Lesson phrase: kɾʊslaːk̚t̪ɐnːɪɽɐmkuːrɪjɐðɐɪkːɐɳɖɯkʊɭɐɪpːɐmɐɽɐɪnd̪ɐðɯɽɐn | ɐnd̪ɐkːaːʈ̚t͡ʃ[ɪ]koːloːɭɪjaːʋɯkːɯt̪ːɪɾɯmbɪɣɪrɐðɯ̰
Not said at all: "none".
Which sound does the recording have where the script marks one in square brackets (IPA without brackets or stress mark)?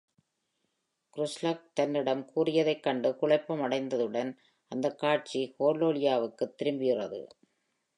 i